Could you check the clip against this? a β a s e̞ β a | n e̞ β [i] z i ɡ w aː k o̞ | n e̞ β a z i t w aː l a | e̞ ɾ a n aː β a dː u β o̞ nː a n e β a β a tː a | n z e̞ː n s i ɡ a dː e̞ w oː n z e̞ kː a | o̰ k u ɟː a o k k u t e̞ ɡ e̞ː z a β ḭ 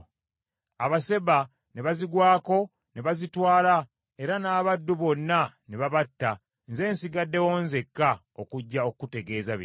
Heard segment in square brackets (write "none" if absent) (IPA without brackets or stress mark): a